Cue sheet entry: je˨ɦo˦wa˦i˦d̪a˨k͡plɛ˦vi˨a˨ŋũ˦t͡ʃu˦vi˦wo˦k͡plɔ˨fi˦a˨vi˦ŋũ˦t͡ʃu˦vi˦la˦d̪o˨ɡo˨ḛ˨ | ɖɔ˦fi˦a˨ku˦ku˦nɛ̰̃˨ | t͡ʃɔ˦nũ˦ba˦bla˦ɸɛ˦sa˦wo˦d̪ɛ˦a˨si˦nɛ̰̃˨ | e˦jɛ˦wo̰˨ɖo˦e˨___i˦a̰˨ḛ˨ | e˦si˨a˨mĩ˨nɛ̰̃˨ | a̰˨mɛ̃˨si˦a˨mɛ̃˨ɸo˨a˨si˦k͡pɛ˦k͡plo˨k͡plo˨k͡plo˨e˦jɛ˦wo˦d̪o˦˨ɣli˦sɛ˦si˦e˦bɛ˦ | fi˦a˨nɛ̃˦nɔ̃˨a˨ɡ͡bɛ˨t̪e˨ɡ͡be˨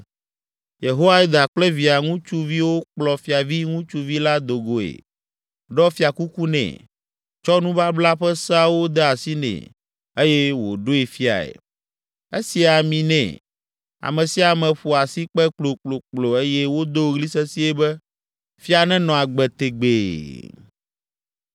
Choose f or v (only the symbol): f